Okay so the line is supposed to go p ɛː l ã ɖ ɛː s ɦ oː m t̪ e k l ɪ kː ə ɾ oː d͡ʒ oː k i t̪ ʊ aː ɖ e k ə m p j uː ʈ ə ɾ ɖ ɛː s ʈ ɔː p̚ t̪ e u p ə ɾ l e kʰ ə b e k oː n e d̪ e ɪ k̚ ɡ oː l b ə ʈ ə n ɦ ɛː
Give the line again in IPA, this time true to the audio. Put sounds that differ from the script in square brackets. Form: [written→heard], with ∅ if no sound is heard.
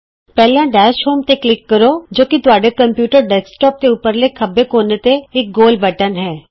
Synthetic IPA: p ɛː l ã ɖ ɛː [s→ʃ] ɦ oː m t̪ e k l ɪ kː ə ɾ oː d͡ʒ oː k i t̪ ʊ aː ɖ e k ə m p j uː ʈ ə ɾ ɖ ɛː s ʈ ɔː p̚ t̪ e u p ə ɾ l e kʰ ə b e k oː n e [d̪→t̪] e ɪ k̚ ɡ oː l b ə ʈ ə n ɦ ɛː